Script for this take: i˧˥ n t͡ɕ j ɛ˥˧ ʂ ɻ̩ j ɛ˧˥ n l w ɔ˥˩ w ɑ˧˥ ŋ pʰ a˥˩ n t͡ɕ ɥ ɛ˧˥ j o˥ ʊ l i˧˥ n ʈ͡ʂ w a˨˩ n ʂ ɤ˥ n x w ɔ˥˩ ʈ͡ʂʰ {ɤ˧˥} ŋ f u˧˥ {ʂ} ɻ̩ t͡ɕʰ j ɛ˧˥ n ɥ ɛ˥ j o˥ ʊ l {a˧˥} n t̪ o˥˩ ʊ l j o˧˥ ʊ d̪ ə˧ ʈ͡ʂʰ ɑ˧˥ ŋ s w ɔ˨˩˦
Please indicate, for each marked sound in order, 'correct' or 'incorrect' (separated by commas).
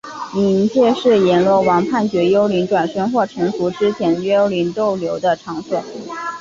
correct, incorrect, incorrect